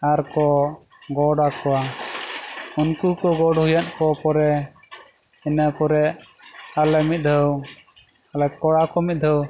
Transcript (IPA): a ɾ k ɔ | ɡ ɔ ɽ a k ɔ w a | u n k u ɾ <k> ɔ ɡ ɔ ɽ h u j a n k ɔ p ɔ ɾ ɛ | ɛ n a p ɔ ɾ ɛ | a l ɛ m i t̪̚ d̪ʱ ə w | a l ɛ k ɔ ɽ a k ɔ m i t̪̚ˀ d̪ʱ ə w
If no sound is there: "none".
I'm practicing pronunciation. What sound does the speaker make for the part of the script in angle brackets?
k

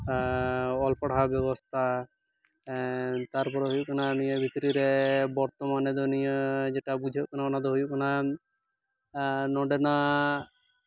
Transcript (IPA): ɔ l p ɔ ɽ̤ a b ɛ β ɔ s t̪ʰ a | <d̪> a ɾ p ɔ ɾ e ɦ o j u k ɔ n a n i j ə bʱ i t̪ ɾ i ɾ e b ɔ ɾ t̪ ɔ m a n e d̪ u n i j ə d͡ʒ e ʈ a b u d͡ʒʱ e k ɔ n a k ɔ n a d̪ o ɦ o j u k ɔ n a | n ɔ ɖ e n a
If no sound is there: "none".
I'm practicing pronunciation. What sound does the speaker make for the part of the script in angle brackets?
t̪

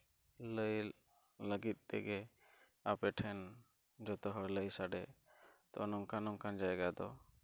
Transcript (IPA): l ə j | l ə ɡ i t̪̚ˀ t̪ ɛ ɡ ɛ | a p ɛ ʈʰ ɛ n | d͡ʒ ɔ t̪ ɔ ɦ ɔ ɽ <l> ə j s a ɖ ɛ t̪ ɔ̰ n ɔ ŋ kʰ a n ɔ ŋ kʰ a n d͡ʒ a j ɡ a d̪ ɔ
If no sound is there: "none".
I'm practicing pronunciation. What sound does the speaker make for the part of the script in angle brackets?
l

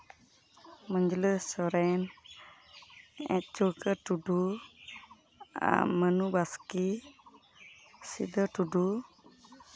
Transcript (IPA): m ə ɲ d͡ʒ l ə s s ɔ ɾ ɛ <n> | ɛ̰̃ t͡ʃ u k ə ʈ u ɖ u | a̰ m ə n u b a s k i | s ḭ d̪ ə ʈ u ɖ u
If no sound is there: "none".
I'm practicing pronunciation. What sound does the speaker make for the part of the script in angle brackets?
n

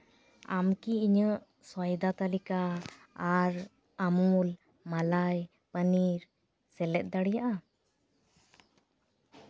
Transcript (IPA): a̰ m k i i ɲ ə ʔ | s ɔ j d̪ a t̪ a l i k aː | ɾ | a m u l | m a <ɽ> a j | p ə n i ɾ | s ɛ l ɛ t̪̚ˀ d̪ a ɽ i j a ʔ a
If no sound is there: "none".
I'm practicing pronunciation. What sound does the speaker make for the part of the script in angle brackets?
l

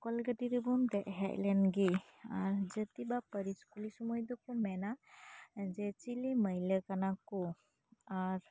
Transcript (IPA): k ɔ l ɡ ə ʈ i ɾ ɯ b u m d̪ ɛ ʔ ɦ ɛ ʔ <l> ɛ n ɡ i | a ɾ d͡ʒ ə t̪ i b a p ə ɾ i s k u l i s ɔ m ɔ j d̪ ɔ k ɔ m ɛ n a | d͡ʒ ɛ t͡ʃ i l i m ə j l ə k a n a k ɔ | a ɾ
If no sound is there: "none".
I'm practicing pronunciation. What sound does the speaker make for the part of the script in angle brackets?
l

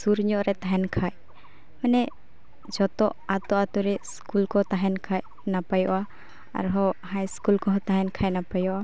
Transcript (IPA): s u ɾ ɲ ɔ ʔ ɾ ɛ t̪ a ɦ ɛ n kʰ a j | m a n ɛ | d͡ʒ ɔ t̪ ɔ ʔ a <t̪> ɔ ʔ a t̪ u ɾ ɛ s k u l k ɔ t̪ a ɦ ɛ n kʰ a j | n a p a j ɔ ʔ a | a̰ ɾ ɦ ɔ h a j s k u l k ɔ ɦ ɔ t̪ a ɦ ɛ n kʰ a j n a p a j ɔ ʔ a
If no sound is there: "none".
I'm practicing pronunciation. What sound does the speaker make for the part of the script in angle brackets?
t̪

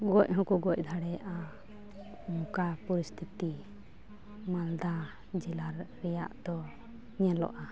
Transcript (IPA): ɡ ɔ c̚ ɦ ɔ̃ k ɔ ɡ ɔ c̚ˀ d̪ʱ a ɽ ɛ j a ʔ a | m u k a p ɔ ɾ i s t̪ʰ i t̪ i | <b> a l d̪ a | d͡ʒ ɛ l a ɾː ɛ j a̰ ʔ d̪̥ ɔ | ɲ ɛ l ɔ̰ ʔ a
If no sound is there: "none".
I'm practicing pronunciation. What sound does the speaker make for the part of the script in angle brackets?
m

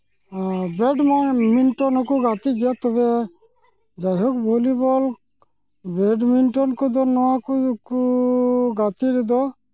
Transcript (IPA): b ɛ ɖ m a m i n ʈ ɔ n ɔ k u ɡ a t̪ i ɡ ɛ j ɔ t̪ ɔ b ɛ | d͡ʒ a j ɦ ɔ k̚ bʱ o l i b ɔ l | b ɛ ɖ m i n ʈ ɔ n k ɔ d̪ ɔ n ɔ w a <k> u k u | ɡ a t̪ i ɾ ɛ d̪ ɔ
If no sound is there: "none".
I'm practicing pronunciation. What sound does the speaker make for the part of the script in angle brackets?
k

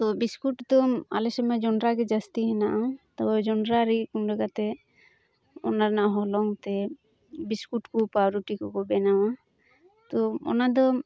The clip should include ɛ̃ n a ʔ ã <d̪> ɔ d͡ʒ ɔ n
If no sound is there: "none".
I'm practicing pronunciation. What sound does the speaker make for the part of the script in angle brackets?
t̪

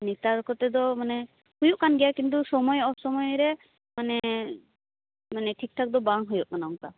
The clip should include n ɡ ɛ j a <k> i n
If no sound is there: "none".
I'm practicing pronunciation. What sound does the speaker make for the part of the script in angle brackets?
k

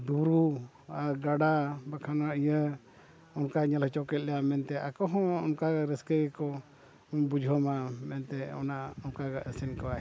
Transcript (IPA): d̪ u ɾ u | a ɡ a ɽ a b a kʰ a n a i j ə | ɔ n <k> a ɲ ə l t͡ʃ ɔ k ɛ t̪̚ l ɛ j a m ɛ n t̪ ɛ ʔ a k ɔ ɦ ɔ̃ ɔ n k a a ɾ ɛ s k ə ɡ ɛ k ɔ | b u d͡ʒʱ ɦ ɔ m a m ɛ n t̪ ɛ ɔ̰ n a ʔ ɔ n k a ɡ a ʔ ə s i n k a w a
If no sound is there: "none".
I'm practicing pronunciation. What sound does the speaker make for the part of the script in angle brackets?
k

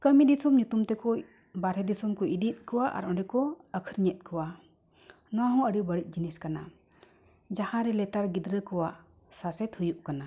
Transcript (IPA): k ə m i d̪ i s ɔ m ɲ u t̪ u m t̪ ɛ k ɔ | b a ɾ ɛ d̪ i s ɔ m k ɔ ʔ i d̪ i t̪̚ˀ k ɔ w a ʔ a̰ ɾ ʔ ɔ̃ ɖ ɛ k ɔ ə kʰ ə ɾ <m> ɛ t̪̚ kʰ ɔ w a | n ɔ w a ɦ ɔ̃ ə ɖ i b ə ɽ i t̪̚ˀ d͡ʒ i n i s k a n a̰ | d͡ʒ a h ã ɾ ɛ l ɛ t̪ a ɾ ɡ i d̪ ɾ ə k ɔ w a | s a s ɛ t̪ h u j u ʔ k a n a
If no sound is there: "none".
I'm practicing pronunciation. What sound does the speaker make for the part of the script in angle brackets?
ɲ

